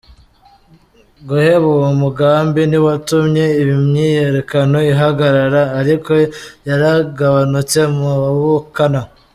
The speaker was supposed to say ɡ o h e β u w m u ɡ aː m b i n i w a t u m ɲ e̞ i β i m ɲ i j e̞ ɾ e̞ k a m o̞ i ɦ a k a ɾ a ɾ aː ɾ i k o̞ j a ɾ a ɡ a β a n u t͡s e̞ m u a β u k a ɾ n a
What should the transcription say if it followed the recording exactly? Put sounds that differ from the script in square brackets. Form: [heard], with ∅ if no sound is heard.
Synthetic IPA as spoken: ɡ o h e β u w m u ɡ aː m b i n i w a t u m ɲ e̞ i β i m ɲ i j e̞ ɾ e̞ k a [n] o̞ i ɦ a [ɡ] a ɾ a ɾ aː ɾ i k o̞ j a ɾ a ɡ a β a n u t͡s e̞ m u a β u k a [∅] n a